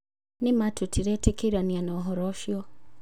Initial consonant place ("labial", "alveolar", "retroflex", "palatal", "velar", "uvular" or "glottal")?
alveolar